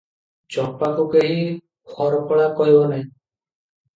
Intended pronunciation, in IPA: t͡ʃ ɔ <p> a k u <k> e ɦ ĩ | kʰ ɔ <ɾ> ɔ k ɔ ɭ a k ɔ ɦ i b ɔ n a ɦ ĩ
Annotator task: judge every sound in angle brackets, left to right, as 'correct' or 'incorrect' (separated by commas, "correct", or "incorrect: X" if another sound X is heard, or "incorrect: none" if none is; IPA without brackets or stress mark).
correct, correct, correct